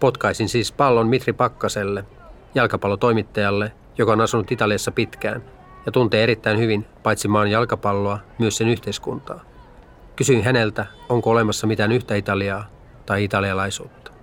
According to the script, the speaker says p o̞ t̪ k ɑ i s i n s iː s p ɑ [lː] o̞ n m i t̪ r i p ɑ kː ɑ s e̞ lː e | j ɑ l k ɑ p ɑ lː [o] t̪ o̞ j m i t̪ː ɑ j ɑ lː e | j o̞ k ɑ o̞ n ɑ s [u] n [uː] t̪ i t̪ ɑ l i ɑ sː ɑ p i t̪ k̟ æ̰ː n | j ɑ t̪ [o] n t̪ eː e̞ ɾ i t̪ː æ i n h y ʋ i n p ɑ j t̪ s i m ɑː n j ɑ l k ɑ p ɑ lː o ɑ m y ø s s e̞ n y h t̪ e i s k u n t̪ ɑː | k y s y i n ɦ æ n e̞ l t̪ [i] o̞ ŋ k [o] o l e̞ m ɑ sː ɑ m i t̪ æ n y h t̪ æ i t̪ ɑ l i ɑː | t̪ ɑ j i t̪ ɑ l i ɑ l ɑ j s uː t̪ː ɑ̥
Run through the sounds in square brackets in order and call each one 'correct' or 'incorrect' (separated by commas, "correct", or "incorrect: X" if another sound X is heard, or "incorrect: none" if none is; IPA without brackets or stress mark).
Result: correct, correct, correct, incorrect: u, incorrect: u, incorrect: æ, correct